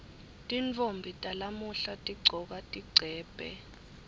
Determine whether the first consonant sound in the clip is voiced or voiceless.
voiceless